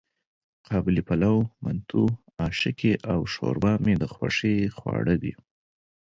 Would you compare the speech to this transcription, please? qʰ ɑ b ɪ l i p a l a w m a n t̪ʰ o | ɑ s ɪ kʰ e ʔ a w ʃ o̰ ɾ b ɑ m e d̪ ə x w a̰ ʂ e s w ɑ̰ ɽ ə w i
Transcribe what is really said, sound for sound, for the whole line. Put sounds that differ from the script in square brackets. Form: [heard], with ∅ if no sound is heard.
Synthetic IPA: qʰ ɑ b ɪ l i p a l a w m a n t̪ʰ [u] | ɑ [ʃ] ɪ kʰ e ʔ a w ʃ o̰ ɾ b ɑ m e d̪ ə x w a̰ ʂ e [x] w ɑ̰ ɽ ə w i